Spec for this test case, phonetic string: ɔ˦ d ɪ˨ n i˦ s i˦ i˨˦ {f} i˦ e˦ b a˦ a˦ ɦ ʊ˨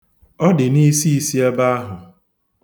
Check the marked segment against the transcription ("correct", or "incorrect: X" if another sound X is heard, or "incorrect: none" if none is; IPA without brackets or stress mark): incorrect: s